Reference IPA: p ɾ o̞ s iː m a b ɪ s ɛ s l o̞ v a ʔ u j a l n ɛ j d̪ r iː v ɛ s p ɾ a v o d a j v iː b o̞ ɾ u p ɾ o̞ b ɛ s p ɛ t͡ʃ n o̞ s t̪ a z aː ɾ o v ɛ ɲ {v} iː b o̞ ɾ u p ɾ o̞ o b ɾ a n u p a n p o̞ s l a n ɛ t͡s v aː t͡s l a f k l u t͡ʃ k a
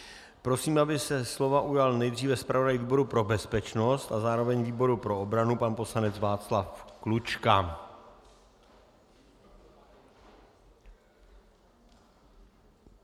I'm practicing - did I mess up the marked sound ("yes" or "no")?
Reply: no